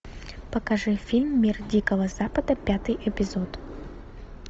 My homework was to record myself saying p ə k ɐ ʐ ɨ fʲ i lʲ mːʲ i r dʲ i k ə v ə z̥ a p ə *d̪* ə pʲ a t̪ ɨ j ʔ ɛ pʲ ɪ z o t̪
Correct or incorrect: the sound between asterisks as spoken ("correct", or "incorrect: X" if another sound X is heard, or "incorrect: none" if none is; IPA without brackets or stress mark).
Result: correct